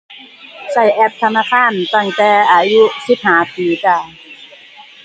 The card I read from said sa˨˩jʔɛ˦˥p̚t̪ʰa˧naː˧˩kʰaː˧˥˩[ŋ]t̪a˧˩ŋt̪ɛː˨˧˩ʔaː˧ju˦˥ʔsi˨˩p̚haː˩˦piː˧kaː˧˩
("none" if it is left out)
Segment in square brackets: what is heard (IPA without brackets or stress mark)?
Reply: n